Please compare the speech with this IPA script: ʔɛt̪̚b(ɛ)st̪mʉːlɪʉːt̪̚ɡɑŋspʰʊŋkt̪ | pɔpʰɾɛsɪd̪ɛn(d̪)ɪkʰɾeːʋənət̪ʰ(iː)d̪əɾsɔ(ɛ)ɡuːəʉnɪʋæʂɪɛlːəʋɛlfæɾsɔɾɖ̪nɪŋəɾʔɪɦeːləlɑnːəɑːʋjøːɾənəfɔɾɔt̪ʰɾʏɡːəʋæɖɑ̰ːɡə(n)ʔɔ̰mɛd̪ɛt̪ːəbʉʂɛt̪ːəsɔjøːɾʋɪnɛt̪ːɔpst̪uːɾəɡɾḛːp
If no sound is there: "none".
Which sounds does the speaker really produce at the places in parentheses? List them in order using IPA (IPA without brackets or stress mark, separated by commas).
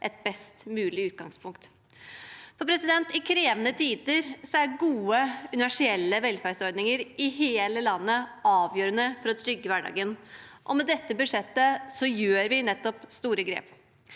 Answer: ɛ, t̪, iː, æ, n